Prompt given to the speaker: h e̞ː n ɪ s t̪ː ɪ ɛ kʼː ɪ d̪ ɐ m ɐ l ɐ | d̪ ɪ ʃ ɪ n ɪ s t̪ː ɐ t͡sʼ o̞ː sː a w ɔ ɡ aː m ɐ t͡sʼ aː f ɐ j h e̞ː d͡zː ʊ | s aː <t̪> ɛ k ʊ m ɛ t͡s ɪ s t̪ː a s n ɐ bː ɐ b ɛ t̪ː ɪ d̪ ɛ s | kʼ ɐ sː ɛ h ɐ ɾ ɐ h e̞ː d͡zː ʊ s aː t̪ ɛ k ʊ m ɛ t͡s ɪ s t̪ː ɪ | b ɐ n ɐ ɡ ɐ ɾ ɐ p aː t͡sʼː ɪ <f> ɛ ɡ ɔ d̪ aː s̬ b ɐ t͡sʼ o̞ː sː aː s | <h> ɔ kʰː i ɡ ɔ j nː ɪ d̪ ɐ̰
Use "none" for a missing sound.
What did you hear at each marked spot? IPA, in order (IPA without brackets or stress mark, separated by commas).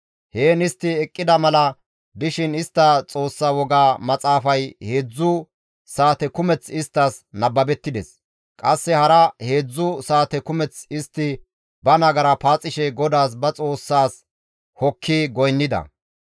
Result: t̪, ʃ, h